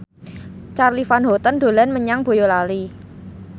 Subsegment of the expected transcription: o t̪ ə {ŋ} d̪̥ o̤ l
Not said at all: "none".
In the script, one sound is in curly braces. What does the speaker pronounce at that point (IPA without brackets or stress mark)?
n